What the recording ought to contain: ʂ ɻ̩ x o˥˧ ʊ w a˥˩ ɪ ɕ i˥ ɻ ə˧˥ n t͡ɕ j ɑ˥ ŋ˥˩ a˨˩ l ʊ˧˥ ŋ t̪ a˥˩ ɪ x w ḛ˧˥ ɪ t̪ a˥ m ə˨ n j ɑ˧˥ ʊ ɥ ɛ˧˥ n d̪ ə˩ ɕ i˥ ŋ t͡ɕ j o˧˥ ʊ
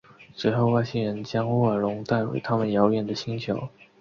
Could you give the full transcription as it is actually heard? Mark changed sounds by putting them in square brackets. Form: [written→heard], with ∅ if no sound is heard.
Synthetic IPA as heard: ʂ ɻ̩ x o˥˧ ʊ w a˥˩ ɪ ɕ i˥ ɻ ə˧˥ n t͡ɕ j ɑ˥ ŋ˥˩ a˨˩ l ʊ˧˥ ŋ t̪ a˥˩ ɪ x w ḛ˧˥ ɪ [t̪→t̪ʰ] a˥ m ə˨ n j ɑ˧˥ ʊ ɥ [ɛ˧˥→ɛ˨˩] n d̪ ə˩ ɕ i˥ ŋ [t͡ɕ→t͡ɕʰ] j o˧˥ ʊ